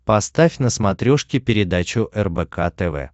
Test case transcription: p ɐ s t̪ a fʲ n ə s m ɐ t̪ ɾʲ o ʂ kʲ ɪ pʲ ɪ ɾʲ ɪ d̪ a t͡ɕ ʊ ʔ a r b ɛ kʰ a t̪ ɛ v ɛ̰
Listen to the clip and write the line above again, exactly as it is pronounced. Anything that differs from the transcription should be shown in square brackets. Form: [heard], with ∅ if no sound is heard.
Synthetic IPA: p ɐ s t̪ a fʲ n ə s m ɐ t̪ ɾʲ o ʂ kʲ ɪ pʲ ɪ ɾʲ ɪ d̪ a t͡ɕ ʊ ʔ [ɛ] r b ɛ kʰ a t̪ ɛ v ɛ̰